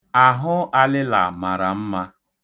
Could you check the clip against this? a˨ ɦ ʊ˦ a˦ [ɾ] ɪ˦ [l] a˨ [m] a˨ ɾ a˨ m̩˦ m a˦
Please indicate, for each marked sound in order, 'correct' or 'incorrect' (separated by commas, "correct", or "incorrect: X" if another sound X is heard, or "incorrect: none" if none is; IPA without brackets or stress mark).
incorrect: l, correct, correct